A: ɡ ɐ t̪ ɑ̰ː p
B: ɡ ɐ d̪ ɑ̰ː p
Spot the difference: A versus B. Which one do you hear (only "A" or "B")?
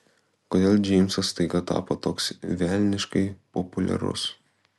A